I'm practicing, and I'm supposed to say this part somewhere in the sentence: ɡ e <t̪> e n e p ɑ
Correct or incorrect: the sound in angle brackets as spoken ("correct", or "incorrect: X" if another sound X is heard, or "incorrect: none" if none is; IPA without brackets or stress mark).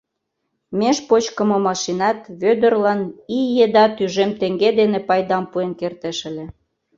incorrect: d̪